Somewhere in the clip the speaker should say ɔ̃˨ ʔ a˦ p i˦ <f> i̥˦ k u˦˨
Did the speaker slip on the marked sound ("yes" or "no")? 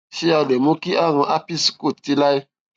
yes